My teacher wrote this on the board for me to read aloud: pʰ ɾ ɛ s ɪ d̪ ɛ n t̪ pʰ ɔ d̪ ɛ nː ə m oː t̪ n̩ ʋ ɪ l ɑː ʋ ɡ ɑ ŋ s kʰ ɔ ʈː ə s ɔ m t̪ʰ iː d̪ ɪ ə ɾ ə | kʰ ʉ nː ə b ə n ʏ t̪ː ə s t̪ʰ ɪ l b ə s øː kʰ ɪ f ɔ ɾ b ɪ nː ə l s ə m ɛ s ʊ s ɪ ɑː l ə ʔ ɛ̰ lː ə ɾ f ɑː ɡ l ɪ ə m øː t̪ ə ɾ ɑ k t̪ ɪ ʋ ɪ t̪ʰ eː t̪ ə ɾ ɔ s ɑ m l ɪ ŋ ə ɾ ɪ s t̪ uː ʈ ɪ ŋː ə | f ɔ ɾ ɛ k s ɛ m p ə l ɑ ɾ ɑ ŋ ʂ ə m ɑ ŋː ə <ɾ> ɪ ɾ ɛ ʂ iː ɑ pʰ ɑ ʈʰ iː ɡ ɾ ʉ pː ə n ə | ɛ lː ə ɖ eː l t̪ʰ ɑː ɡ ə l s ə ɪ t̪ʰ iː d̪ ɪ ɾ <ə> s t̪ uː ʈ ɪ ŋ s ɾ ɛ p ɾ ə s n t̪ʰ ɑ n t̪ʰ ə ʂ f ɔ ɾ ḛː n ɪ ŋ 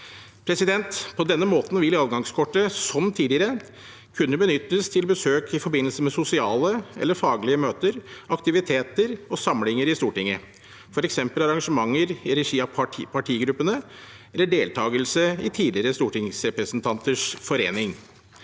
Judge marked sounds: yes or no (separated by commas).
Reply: yes, yes